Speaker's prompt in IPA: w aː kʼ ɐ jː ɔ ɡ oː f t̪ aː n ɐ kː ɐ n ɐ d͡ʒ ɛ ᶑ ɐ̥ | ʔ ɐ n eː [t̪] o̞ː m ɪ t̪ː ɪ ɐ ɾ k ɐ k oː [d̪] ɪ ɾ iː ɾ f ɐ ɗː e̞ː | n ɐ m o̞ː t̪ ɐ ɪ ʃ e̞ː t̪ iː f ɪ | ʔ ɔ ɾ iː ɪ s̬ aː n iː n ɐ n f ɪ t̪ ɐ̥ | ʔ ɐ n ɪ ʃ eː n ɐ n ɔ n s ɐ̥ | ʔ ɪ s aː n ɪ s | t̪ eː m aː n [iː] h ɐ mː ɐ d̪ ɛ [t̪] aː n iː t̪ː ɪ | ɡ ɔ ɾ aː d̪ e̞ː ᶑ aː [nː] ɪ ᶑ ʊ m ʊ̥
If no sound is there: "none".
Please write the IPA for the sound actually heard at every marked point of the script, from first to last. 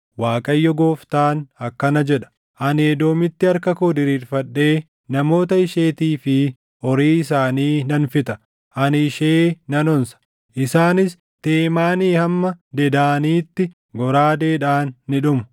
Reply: d̪, d̪, iː, d̪, nː

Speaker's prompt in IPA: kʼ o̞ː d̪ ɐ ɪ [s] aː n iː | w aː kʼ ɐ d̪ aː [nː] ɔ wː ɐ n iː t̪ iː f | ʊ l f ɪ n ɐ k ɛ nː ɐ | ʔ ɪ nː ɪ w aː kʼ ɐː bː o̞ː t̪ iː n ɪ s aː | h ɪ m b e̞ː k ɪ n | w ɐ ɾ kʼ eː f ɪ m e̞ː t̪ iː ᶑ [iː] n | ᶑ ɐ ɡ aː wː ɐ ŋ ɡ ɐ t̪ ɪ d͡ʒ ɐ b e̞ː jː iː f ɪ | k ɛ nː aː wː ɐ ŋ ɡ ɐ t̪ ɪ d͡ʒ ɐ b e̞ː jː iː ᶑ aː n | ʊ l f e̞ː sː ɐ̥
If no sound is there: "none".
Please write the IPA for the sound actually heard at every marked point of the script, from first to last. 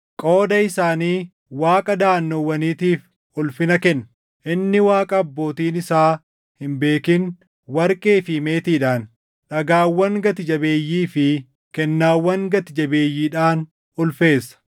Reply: s, nː, aː

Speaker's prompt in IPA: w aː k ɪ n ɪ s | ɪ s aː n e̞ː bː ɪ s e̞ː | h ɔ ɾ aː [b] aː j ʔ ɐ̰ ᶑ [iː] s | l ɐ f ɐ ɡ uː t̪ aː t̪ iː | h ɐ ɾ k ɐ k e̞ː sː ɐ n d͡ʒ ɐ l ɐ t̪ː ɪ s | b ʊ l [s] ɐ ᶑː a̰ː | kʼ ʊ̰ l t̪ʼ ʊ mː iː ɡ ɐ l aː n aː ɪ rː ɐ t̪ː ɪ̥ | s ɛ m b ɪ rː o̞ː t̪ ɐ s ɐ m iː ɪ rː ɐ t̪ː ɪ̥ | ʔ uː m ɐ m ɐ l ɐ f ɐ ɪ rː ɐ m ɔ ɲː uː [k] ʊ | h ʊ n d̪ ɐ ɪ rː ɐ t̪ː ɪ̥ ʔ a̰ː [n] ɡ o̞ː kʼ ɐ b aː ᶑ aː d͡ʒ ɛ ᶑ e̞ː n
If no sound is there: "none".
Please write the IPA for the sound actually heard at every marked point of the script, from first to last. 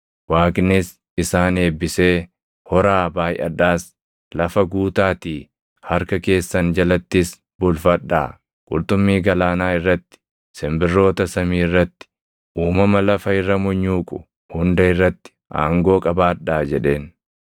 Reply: b, aː, f, kʼ, ŋ

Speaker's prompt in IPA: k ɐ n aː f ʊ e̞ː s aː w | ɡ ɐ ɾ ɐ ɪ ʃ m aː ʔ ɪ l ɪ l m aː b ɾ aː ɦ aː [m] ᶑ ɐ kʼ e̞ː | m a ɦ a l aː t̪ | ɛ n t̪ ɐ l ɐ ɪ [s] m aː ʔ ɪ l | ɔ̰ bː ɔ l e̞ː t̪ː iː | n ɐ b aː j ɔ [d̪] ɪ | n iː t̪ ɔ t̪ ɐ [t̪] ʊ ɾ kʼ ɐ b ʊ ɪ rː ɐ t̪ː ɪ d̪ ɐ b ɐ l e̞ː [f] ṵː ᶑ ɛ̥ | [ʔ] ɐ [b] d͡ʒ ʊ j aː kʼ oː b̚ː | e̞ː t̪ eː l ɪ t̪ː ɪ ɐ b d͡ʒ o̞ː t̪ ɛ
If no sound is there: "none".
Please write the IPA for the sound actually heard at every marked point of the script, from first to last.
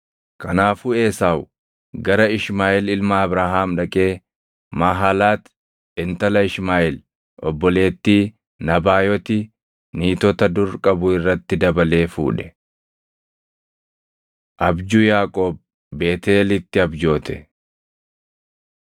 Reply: m, ʃ, t̪, d̪, f, ʔ, b

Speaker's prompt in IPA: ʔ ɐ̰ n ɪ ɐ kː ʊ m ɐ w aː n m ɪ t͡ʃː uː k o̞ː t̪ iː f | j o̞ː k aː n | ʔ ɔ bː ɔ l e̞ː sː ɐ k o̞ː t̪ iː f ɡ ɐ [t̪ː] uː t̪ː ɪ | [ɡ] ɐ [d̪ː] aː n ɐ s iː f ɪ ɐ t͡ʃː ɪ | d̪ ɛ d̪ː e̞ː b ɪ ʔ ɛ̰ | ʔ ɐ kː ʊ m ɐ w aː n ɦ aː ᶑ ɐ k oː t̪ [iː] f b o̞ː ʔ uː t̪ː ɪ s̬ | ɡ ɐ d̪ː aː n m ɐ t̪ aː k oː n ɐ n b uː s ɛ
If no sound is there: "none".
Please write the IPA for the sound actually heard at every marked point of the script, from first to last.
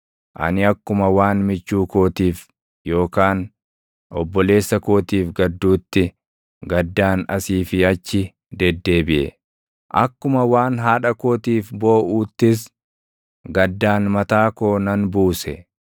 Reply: d̪ː, ɡ, d̪ː, iː

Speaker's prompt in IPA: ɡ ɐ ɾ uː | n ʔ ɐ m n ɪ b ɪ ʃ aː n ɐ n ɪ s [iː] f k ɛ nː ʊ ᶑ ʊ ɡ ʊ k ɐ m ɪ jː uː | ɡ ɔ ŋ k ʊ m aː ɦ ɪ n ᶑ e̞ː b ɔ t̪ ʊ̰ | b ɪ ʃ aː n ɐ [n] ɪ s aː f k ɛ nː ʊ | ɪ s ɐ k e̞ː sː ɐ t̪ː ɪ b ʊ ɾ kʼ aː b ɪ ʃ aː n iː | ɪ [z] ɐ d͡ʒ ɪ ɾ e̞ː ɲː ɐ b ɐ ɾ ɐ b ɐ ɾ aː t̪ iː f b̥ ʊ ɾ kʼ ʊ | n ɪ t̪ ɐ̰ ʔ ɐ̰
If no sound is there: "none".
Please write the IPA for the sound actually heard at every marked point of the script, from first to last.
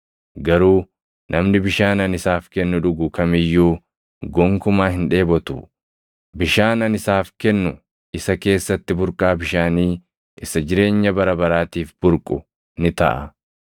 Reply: aː, n, s

